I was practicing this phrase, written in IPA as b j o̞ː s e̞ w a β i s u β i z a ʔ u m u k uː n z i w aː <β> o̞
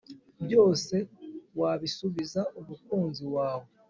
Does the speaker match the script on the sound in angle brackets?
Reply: no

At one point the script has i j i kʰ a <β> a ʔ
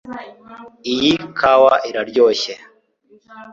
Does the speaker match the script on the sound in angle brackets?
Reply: no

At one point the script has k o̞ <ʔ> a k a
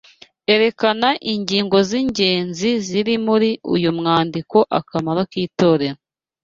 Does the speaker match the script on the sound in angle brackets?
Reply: yes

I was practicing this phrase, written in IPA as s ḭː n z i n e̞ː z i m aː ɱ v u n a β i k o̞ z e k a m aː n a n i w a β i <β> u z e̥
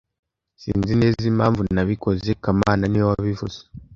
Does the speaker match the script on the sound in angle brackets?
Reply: no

